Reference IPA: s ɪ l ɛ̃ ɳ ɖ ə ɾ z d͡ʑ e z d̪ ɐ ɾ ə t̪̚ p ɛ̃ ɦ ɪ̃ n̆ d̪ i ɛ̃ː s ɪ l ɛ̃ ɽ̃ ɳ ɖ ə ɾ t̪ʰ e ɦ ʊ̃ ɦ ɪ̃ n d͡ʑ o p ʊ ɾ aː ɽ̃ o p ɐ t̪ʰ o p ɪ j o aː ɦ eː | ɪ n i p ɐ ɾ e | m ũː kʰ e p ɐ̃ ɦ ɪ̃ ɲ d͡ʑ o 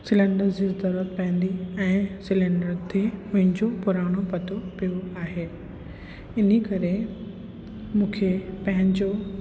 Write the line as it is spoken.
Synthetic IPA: s ɪ l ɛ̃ ɳ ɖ ə ɾ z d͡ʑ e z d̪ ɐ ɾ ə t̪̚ p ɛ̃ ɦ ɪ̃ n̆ d̪ i ɛ̃ː s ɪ l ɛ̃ ɳ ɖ ə ɾ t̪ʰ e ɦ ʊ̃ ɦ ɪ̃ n d͡ʑ o p ʊ ɾ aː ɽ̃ o p ɐ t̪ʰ o p i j o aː ɦ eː | ɪ n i k ɐ ɾ e | m ũː kʰ e p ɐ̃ ɦ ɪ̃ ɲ d͡ʑ o